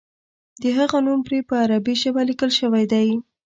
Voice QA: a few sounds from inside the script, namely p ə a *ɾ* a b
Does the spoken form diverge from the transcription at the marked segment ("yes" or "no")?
no